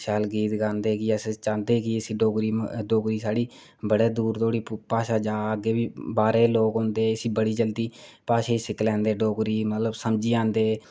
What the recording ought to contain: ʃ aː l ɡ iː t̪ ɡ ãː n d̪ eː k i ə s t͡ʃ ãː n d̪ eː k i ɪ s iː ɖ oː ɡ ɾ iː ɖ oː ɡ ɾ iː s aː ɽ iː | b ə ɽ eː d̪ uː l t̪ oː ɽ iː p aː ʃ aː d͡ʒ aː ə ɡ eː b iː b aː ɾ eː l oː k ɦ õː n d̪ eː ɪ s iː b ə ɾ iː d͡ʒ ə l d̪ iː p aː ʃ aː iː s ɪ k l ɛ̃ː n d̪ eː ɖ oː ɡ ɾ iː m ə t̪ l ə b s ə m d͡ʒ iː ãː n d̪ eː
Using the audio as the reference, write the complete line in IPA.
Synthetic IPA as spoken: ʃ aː l ɡ iː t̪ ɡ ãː n d̪ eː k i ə s t͡ʃ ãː n d̪ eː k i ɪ s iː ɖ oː ɡ ɾ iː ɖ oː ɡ ɾ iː s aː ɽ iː | b ə ɽ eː d̪ uː ɾ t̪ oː ɽ iː p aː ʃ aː d͡ʒ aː ə ɡ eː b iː b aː ɾ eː l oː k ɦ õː n d̪ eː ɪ s iː b ə ɽ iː d͡ʒ ə l d̪ iː p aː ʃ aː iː s ɪ k l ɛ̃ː n d̪ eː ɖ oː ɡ ɾ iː m ə t̪ l ə b s ə m d͡ʒ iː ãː n d̪ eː